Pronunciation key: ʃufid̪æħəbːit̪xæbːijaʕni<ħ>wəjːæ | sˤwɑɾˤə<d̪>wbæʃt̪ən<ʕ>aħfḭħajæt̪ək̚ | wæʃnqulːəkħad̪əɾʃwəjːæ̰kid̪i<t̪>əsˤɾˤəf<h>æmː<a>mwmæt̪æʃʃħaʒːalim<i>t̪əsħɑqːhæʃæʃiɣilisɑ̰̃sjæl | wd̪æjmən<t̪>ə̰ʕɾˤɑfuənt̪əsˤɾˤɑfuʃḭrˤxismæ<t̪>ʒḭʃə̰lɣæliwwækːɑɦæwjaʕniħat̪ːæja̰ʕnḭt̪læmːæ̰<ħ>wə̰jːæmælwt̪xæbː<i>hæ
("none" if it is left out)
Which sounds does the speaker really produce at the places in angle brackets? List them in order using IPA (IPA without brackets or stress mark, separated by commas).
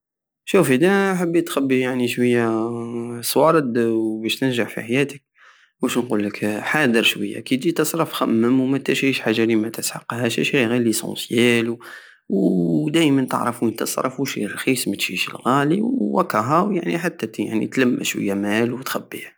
ʃ, d̪, ʒ, t̪, x, ə, æ, t̪, t̪, ʃ, i